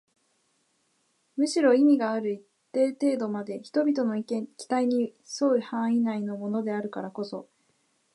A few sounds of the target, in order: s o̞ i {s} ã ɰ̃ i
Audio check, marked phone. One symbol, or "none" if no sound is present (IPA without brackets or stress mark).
h